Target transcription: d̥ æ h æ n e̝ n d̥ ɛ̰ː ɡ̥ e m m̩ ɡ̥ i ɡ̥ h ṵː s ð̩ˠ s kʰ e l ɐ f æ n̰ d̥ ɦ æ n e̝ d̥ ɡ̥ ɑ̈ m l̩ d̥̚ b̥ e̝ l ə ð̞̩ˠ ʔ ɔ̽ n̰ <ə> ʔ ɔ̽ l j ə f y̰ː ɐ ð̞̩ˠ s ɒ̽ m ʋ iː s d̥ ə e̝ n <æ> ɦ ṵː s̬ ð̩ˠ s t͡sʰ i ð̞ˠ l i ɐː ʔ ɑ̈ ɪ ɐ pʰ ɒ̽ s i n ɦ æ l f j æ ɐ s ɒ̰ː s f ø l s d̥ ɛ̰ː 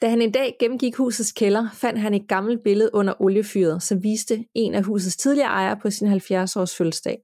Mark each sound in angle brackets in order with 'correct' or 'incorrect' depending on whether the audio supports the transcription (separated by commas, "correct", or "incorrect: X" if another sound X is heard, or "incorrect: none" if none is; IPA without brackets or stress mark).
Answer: incorrect: ɐ, correct